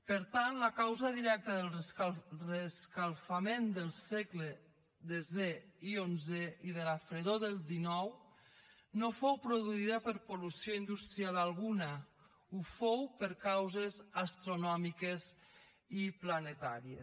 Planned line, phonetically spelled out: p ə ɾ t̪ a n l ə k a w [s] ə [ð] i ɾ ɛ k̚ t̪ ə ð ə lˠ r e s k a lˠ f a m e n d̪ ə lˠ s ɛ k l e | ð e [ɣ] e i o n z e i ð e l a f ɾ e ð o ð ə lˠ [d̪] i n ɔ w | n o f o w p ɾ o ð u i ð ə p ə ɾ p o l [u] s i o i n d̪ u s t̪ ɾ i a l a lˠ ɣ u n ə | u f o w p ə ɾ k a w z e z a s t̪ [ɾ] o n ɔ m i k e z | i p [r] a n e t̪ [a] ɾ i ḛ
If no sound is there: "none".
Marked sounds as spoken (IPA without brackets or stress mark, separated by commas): z, ð, z, d̪, u, ɾ, l, a